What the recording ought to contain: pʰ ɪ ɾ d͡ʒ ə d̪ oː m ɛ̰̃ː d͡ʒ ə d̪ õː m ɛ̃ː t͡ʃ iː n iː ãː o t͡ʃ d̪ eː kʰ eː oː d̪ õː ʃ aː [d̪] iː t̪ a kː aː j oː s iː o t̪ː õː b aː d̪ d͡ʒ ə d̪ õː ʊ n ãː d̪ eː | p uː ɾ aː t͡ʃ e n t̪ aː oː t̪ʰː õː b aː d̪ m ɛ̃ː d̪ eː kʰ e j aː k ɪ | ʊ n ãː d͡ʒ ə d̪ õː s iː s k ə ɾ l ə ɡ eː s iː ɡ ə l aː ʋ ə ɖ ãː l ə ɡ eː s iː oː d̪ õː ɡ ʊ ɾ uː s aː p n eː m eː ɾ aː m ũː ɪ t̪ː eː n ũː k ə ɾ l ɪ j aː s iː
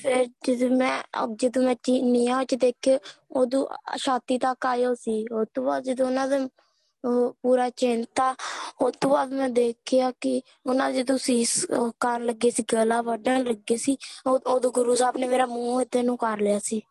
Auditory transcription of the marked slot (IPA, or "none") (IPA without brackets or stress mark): t̪